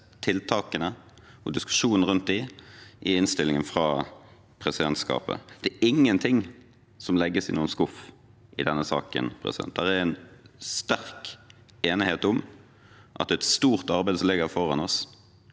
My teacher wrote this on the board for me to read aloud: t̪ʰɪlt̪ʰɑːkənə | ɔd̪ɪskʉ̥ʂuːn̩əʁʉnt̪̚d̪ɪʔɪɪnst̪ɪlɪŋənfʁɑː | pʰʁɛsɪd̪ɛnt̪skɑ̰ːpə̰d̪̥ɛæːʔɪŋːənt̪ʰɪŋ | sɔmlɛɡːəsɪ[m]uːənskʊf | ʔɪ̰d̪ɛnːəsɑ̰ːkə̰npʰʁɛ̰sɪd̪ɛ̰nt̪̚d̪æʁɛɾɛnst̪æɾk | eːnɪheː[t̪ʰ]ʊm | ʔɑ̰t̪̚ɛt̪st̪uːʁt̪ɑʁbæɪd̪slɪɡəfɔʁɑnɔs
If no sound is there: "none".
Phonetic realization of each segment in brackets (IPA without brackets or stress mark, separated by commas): n, t̪